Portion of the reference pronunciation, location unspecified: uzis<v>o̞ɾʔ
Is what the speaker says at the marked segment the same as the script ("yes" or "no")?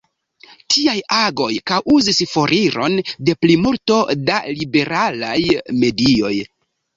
no